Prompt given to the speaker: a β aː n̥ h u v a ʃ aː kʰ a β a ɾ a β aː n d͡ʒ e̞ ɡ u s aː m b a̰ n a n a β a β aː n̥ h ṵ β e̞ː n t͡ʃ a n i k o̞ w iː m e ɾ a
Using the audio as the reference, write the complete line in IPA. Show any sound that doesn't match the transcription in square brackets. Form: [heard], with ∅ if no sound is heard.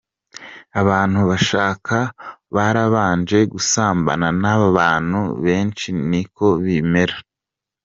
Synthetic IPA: a β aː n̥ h u [β] a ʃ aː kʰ a β a ɾ a β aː n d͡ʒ e̞ ɡ u s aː m b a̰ n a n a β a β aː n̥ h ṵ β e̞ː n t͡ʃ [i] n i k o̞ [β] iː m e ɾ a